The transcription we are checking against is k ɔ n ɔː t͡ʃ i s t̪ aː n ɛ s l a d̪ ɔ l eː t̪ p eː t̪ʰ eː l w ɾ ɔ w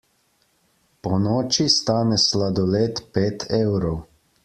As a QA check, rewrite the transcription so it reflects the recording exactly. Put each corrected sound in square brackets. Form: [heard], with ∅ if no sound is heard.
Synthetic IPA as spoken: [p] ɔ n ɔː t͡ʃ i s t̪ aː n ɛ s l a d̪ ɔ l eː t̪ p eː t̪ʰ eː [∅] w ɾ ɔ w